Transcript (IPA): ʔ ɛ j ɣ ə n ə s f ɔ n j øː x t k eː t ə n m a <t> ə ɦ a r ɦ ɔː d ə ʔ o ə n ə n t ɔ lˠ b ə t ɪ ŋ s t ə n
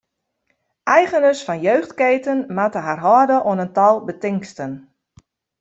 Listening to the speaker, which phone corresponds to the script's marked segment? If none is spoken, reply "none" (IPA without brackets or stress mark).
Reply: t